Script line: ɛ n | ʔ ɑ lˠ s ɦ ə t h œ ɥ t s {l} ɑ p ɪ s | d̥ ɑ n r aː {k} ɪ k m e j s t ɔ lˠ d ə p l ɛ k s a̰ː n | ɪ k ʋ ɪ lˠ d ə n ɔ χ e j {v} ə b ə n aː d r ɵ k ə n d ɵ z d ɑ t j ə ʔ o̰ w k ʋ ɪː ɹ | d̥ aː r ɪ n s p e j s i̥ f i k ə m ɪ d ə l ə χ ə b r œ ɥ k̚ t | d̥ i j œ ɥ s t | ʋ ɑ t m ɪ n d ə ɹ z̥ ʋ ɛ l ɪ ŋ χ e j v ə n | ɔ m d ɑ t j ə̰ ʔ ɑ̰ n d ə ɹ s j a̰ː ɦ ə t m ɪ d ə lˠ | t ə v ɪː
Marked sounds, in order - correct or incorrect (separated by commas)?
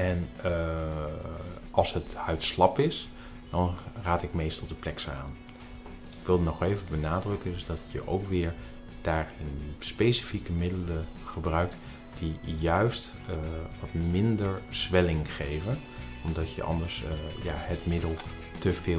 correct, incorrect, correct